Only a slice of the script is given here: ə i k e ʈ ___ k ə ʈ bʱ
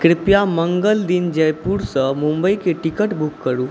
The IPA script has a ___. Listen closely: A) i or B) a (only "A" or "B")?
A